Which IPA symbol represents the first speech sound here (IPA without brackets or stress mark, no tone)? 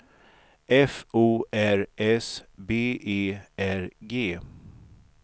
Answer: ɛ